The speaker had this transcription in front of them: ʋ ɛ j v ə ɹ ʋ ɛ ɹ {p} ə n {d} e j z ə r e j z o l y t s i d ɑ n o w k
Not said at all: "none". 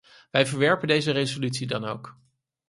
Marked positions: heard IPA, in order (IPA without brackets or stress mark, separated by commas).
p, d